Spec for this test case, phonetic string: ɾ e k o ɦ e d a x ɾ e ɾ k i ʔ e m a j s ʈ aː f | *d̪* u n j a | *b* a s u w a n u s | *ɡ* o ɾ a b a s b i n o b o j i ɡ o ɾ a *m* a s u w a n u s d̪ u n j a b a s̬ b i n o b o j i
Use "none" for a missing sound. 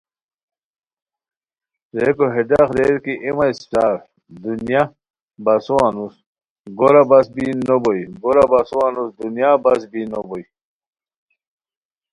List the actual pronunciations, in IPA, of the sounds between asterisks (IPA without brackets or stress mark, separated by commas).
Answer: d̪, b, ɡ, b